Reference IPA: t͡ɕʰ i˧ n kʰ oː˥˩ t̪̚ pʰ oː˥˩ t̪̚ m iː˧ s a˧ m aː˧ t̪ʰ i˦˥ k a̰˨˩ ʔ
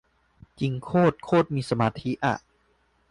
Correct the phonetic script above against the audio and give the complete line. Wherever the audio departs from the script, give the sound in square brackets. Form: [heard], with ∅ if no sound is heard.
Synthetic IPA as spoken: [t͡ɕ] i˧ [ŋ] kʰ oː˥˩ t̪̚ [kʰ] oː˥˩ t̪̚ m iː˧ s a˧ m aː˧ t̪ʰ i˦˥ [ʔ] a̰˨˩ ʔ

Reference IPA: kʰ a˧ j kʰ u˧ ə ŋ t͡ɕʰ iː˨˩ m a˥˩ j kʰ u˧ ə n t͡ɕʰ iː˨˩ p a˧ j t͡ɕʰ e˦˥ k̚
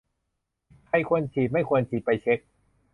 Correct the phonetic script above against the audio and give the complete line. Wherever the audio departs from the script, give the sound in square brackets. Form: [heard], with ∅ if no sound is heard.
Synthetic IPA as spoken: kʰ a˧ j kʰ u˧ ə [n] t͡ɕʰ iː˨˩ m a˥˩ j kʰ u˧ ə n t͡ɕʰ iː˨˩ p a˧ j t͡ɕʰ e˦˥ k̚

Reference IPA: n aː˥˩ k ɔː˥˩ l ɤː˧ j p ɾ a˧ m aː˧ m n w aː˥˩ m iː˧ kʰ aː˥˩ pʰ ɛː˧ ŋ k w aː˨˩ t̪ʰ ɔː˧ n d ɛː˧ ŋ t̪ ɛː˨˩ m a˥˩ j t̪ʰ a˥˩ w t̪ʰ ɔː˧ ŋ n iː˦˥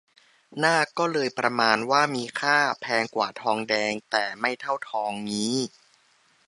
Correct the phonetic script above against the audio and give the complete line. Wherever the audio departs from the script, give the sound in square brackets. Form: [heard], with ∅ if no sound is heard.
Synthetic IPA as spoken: n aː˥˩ k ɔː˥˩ l ɤː˧ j p ɾ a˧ m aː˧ [∅] n w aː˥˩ m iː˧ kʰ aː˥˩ pʰ ɛː˧ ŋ k w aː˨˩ t̪ʰ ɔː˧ [ŋ] d ɛː˧ ŋ t̪ ɛː˨˩ m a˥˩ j t̪ʰ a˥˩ w t̪ʰ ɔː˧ ŋ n iː˦˥

